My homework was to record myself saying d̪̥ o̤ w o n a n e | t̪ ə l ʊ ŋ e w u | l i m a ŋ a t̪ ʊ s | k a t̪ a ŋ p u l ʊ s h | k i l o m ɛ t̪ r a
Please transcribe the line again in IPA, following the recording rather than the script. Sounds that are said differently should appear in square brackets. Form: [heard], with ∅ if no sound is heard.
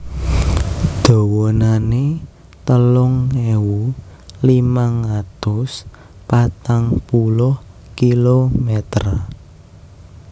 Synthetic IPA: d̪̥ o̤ w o n a n e | t̪ ə l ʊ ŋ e w u | l i m a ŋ a t̪ ʊ s | [p] a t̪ a ŋ p u l ʊ [∅] h | k i l o m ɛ t̪ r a